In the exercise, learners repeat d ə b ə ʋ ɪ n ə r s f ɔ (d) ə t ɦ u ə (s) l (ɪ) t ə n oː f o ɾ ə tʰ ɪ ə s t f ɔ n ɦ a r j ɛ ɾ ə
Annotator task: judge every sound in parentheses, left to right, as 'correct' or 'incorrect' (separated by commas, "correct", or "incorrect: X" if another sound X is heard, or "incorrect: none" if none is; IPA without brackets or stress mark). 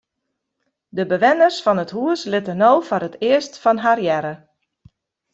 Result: incorrect: n, correct, correct